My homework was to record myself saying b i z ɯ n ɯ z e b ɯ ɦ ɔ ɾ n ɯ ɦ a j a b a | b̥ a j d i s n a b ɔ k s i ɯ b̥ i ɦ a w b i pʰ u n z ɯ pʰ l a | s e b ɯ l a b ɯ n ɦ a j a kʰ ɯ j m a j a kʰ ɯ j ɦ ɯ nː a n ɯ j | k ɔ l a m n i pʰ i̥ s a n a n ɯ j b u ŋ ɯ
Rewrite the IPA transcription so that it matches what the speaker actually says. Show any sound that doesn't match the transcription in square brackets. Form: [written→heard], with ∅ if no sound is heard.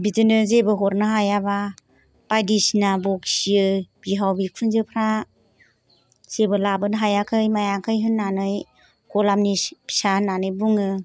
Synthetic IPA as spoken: b i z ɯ n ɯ z e b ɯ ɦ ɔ ɾ n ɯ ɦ a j a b a | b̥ a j d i s n a b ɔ k s i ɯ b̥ i ɦ a w b i [pʰ→kʰ] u n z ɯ pʰ [l→ɾ] a | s e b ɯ l a b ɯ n ɦ a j a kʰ ɯ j m a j a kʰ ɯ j ɦ ɯ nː a n ɯ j | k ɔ l a m n i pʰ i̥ s a n a n ɯ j b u ŋ ɯ

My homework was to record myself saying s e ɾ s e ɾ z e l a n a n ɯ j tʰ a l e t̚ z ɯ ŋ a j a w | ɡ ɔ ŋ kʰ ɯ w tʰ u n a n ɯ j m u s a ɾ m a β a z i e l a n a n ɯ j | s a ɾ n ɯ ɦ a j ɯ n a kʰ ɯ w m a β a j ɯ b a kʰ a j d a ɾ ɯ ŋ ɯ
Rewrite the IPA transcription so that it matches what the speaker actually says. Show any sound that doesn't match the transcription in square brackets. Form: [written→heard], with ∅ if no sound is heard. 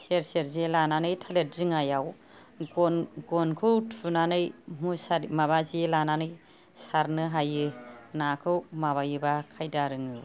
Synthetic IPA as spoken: s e ɾ s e ɾ z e l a n a n ɯ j tʰ a l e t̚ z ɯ ŋ a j a w | ɡ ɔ [ŋ→n] kʰ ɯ w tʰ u n a n ɯ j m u s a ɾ m a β a z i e l a n a n ɯ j | s a ɾ n ɯ ɦ a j ɯ n a kʰ ɯ w m a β a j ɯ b a kʰ a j d a ɾ ɯ ŋ ɯ

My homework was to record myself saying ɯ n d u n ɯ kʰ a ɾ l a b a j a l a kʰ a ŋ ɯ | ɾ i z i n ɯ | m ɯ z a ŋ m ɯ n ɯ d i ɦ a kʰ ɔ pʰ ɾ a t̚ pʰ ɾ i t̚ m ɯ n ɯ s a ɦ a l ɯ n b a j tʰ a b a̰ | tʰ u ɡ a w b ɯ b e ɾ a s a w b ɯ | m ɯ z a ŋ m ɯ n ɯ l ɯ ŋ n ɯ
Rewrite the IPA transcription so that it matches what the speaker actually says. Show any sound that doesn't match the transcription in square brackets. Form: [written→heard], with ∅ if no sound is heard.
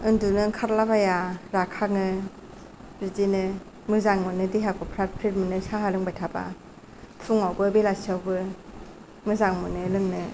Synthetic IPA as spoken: ɯ n d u n ɯ kʰ a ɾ l a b a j a [l→ɾ] a kʰ a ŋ ɯ | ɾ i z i n ɯ | m ɯ z a ŋ m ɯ n ɯ d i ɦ a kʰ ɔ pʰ ɾ a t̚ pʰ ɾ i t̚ m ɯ n ɯ s a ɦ a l ɯ [n→ŋ] b a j tʰ a b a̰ | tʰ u [ɡ→ŋ] a w b ɯ b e [ɾ→l] a s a w b ɯ | m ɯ z a ŋ m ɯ n ɯ l ɯ ŋ n ɯ

